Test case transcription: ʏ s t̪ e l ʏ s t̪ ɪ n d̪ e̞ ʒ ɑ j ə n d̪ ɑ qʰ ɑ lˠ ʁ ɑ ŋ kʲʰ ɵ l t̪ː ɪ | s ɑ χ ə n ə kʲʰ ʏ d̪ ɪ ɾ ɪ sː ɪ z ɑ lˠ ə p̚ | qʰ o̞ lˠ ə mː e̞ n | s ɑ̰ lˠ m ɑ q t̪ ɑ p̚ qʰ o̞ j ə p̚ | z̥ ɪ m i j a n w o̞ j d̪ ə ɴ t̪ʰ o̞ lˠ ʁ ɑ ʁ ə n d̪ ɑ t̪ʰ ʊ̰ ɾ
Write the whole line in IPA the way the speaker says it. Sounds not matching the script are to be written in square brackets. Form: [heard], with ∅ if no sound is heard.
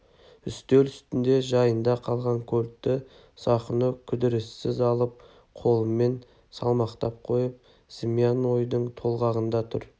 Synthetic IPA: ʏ s t̪ e l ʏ s t̪ ɪ n d̪ e̞ ʒ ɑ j ə n d̪ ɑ qʰ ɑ lˠ ʁ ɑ ŋ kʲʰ ɵ l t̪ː ɪ | s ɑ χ ə n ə kʲʰ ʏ d̪ ɪ ɾ ɪ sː ɪ z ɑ lˠ ə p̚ | qʰ o̞ lˠ ə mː e̞ n | s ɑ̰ lˠ m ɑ q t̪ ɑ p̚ qʰ o̞ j ə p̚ | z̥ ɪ m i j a n w o̞ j d̪ ə ɴ t̪ʰ o̞ lˠ ʁ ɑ ʁ ə n d̪ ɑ t̪ʰ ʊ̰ ɾ

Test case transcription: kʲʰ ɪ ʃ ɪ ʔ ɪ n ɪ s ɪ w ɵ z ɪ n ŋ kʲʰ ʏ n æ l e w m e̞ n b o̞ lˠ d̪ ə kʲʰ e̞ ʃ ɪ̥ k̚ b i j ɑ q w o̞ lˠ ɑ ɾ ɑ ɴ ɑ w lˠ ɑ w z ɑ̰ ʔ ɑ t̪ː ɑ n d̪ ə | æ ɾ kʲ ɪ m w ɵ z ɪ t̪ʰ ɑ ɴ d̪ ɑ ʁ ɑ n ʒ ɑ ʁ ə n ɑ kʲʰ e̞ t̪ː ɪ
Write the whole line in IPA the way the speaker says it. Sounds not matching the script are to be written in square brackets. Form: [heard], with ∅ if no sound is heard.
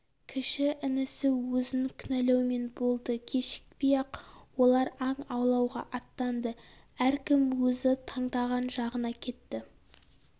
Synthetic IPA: kʲʰ ɪ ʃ ɪ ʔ ɪ n ɪ s ɪ w ɵ z ɪ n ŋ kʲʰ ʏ n æ l e w m e̞ n b o̞ lˠ d̪ ə kʲʰ e̞ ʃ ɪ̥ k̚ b i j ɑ q w o̞ lˠ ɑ ɾ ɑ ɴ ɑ w lˠ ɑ w [ʁ] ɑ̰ ʔ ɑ t̪ː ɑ n d̪ ə | æ ɾ kʲ ɪ m w ɵ z ɪ t̪ʰ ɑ ɴ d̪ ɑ ʁ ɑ n ʒ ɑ ʁ ə n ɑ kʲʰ e̞ t̪ː ɪ

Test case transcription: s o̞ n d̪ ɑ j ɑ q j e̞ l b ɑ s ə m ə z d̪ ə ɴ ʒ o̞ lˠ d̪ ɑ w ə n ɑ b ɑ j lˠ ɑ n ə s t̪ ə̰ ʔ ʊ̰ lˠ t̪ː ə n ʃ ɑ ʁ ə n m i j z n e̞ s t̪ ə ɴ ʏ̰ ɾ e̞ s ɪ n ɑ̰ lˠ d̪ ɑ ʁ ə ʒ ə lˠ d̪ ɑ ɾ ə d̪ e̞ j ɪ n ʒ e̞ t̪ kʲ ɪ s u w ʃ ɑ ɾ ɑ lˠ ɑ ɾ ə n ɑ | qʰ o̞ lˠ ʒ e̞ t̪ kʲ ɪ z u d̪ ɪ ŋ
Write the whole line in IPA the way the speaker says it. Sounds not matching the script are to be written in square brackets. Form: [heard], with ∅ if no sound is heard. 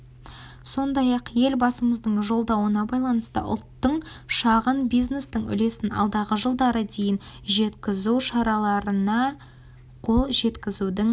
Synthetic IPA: s o̞ n d̪ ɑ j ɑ q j e̞ l b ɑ s ə m ə z d̪ ə ɴ ʒ o̞ lˠ d̪ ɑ w ə n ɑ b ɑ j lˠ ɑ n ə s t̪ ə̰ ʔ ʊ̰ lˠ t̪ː ə [ɴ] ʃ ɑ ʁ ə n [b] i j z n e̞ s t̪ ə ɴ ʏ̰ [l] e̞ s ɪ n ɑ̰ lˠ d̪ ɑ ʁ ə ʒ ə lˠ d̪ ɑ ɾ ə d̪ e̞ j ɪ n ʒ e̞ t̪ kʲ ɪ [z] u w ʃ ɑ ɾ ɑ lˠ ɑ ɾ ə n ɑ | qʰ o̞ lˠ ʒ e̞ t̪ kʲ ɪ z u d̪ ɪ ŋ

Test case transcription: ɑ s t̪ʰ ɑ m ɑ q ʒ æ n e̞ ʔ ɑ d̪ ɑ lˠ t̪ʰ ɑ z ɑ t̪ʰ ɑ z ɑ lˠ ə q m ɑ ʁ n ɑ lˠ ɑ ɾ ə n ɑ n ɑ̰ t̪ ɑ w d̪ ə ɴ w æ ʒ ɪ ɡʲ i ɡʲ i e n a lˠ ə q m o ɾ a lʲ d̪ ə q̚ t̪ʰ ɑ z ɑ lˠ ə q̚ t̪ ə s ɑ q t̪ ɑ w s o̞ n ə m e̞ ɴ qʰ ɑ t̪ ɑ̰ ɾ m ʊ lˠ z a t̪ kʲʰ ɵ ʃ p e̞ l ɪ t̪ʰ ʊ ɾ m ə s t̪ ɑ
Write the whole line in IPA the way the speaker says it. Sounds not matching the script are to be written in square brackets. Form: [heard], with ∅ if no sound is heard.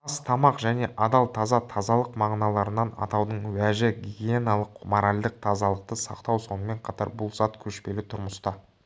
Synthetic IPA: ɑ s t̪ʰ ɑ m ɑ q ʒ æ n e̞ ʔ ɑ d̪ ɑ lˠ t̪ʰ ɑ z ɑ t̪ʰ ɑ z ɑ lˠ ə q m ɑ ʁ n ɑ lˠ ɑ ɾ ə n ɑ n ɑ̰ t̪ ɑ w d̪ ə ɴ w æ ʒ ɪ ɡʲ i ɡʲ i e n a lˠ ə q m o ɾ a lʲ d̪ ə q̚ t̪ʰ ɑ z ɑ lˠ ə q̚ t̪ ə s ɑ q t̪ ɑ w s o̞ n ə m e̞ ɴ qʰ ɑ t̪ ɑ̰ ɾ [b] ʊ lˠ z [ɑ] t̪ kʲʰ ɵ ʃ p e̞ l ɪ t̪ʰ ʊ ɾ m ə s t̪ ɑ

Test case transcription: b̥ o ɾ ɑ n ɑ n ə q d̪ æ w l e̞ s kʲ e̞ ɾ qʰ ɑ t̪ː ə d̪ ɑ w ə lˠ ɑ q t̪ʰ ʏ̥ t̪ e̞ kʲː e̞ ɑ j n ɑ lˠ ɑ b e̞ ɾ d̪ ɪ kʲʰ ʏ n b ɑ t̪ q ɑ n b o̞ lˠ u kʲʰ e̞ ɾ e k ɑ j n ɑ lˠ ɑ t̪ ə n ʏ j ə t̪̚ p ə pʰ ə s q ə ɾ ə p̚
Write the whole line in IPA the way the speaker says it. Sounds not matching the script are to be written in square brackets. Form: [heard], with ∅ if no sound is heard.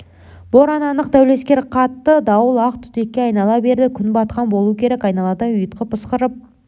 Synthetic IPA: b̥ o ɾ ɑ n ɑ n ə q d̪ æ w l e̞ s kʲ e̞ ɾ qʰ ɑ t̪ː ə d̪ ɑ w ə lˠ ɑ q t̪ʰ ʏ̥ t̪ e̞ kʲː e̞ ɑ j n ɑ lˠ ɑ b e̞ ɾ d̪ ɪ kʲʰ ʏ n b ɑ t̪ q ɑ n b o̞ lˠ u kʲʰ e̞ ɾ e k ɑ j n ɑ lˠ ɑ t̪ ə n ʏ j ə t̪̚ [q] ə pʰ ə s q ə ɾ ə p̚

